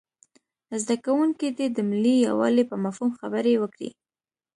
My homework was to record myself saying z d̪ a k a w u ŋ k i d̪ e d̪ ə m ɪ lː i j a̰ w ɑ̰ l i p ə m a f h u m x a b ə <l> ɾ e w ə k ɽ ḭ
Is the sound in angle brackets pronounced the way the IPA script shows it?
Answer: no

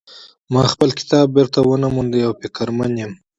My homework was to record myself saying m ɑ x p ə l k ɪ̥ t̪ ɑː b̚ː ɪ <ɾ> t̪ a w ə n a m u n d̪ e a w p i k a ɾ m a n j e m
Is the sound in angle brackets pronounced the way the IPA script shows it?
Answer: yes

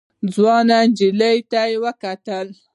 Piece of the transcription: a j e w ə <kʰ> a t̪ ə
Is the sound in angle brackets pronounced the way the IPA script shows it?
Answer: no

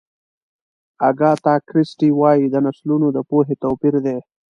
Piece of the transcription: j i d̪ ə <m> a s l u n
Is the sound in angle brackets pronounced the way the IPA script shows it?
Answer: no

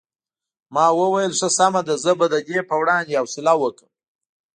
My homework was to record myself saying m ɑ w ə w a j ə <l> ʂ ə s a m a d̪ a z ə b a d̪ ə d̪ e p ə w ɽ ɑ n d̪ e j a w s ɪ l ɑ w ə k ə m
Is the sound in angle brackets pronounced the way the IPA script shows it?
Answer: yes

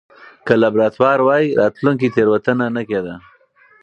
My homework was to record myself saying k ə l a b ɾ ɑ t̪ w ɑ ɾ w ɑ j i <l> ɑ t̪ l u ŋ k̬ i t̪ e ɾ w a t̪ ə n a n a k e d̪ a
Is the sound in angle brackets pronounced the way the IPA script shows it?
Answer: no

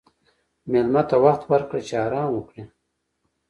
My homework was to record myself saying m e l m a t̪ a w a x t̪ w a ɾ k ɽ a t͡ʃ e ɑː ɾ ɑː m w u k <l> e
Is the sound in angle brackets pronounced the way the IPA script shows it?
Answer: no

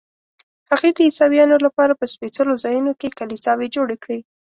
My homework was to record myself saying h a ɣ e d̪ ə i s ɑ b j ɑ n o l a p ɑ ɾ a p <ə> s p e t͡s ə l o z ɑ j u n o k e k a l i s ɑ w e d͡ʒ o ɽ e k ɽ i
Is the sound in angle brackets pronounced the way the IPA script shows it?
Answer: yes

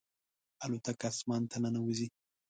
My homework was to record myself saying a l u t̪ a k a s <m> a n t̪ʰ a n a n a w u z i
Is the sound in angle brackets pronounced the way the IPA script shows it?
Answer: yes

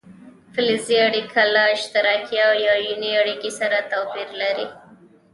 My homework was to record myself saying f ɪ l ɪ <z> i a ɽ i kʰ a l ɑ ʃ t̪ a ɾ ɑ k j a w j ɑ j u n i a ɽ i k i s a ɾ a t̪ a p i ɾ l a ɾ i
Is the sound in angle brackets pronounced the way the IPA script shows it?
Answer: yes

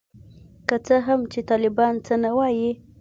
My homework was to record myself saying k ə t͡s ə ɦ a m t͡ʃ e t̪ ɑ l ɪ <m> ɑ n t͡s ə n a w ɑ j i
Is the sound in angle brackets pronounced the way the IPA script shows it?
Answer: no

